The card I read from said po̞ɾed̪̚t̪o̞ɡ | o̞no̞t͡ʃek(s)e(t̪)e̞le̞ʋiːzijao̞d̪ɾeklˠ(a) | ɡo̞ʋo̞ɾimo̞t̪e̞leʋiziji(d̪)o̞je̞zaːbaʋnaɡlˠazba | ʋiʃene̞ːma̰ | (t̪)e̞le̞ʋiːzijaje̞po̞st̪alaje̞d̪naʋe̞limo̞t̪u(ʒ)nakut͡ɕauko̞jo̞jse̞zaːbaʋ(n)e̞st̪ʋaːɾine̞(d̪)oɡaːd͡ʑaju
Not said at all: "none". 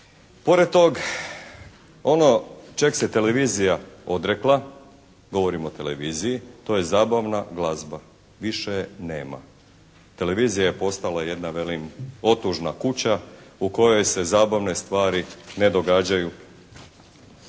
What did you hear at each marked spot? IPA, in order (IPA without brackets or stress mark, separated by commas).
s, t̪, a, t̪, t̪, ʒ, n, d̪